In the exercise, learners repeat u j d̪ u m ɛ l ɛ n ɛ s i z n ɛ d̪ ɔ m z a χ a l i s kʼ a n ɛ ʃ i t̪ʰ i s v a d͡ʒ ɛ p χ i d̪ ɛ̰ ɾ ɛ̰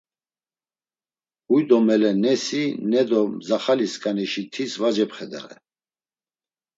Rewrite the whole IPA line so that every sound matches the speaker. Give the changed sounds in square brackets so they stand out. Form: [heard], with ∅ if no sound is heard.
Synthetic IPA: u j d̪ [ɔ] m ɛ l ɛ n ɛ s i [∅] n ɛ d̪ ɔ m z a χ a l i s kʼ a n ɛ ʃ i t̪ʰ i s v a d͡ʒ ɛ p χ [ɛ] d̪ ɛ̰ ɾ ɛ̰